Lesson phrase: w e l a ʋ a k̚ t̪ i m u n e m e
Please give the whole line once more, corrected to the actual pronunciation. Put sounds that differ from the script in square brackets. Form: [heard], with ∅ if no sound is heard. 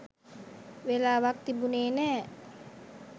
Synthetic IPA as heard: w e l a [w] a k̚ t̪ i [b] u n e [n] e